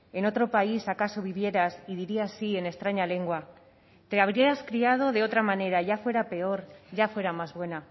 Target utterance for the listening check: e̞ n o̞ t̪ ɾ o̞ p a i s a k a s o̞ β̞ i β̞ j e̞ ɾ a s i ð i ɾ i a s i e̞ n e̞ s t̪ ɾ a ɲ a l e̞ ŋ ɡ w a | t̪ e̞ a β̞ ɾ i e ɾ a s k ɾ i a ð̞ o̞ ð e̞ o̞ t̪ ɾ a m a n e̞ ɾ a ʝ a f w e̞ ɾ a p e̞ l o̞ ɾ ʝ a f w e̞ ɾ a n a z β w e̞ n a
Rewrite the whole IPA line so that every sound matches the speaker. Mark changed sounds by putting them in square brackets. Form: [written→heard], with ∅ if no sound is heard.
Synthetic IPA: e̞ n o̞ t̪ ɾ o̞ p a i s a k a s o̞ β̞ i β̞ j e̞ ɾ a s i ð i ɾ i a s i e̞ n e̞ s t̪ ɾ a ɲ a l e̞ ŋ ɡ w a | t̪ e̞ a β̞ ɾ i e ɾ a s k ɾ i a ð̞ o̞ ð e̞ o̞ t̪ ɾ a m a n e̞ ɾ a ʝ a f w e̞ ɾ a p e̞ [l→∅] o̞ ɾ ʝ a f w e̞ ɾ a [n→m] a z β w e̞ n a